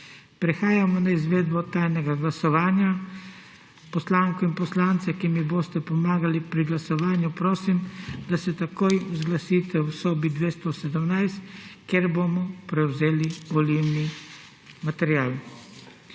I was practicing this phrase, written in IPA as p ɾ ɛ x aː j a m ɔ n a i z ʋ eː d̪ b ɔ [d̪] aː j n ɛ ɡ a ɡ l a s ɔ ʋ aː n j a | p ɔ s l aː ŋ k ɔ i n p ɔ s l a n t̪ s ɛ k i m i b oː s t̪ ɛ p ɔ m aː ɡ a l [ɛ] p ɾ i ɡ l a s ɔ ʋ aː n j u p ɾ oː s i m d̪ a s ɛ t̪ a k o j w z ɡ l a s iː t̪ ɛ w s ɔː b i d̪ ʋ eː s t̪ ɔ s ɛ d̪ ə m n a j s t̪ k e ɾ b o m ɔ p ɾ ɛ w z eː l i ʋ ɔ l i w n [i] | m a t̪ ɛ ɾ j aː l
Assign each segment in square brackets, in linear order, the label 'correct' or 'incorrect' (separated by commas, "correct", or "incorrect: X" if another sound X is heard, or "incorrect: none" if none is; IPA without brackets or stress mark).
incorrect: t̪, incorrect: i, correct